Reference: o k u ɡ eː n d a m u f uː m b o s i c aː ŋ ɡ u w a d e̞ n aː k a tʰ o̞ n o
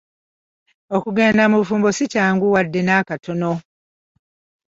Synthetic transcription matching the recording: o k u ɡ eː n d a m u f uː m b o s i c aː ŋ ɡ u w a dː e̞ n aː k a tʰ o̞ n o

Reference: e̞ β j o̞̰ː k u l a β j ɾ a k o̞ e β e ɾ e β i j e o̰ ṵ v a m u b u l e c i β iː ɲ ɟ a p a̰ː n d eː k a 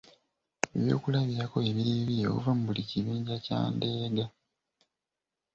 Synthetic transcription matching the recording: e̞ β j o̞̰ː k u l a β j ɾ a k o̞ e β i ɾ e β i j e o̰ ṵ v a m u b u l i c i β iː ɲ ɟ a c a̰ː n d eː ɡ a

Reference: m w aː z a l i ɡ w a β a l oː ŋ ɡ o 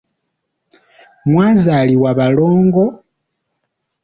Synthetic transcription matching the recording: m w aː z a l i w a β a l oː ŋ ɡ o

